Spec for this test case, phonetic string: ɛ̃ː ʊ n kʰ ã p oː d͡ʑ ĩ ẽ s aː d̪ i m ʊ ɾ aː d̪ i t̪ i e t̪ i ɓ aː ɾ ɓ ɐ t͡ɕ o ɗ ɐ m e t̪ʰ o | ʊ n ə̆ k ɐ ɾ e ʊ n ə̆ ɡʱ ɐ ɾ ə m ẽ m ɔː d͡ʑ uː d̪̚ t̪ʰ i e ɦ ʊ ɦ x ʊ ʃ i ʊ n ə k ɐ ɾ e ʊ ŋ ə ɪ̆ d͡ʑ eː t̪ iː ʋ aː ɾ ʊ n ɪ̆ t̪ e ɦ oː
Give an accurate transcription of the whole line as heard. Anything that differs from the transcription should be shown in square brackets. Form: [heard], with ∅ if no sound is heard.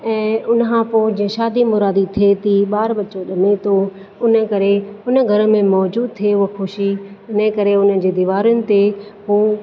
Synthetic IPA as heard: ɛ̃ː ʊ n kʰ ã p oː d͡ʑ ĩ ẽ [ʃ] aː d̪ i m ʊ ɾ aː d̪ i [t̪ʰ] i e t̪ i ɓ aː ɾ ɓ ɐ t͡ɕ o ɗ ɐ m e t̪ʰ o | ʊ n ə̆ k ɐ ɾ e ʊ n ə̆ ɡʱ ɐ ɾ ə m ẽ m ɔː d͡ʑ uː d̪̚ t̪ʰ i e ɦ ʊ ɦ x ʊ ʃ i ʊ n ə k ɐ ɾ e ʊ [n] ə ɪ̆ d͡ʑ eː [d̪] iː ʋ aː ɾ ʊ n ɪ̆ t̪ e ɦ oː